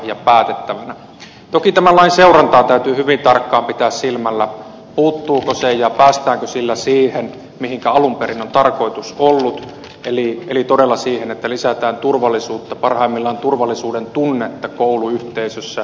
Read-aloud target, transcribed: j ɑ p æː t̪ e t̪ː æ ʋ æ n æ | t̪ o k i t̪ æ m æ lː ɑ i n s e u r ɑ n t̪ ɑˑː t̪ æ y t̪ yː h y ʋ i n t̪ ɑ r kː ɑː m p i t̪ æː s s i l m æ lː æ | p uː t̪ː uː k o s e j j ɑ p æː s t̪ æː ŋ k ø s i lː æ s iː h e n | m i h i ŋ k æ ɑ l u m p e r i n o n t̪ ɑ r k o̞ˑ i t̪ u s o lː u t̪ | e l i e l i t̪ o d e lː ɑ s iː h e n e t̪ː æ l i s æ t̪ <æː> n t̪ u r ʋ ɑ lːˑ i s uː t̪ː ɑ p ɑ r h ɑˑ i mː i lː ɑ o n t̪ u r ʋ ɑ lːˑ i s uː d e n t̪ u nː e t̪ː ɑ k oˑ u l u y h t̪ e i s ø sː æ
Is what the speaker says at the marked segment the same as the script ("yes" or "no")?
yes